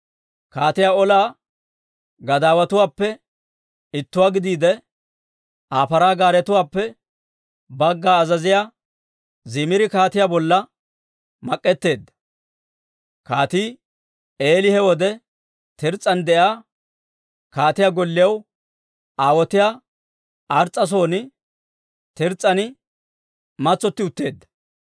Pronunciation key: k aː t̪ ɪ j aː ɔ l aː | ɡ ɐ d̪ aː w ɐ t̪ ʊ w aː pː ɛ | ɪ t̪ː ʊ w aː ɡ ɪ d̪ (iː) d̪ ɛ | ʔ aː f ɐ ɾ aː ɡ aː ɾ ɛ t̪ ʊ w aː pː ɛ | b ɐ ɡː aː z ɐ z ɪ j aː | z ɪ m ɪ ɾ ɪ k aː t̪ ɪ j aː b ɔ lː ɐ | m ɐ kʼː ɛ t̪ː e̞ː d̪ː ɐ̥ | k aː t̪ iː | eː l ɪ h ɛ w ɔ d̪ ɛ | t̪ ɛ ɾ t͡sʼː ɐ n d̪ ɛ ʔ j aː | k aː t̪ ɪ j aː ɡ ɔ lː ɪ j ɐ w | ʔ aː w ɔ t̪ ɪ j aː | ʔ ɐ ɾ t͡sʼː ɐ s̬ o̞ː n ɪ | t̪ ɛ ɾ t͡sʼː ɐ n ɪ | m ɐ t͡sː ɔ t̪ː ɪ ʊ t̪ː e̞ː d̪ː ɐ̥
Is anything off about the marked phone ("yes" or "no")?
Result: no